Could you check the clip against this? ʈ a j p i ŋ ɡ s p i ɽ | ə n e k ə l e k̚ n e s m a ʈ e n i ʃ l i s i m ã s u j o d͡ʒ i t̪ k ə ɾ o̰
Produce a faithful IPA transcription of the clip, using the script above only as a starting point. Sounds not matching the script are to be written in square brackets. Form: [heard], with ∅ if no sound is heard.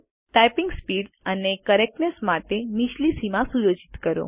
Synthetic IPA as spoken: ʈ a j p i ŋ ɡ s p i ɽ | ə n e k ə [ɾ] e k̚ n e s m a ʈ e [m] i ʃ l i s i m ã s u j o d͡ʒ i t̪ k ə ɾ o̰